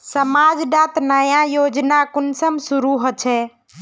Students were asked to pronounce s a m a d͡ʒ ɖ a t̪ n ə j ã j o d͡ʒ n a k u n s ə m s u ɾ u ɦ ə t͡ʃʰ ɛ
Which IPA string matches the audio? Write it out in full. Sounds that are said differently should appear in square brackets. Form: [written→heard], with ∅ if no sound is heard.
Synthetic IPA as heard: s [a→ə] m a d͡ʒ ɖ a t̪ n ə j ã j o d͡ʒ n a k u n s ə m s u ɾ u ɦ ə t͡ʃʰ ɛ